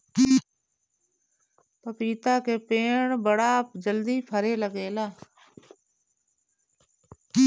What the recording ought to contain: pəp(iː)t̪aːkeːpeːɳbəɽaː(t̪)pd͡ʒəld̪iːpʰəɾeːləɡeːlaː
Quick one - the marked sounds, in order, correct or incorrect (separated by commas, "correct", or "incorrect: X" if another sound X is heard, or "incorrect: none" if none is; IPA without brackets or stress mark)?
correct, incorrect: none